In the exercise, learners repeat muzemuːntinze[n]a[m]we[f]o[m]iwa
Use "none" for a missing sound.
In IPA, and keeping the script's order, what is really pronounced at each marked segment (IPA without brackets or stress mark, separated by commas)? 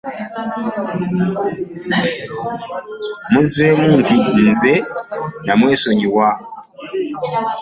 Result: n, m, s, ɲ